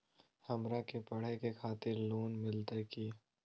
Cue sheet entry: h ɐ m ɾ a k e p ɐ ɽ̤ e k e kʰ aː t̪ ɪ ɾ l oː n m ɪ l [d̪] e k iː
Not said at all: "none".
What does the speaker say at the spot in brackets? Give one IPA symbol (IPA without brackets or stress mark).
t̪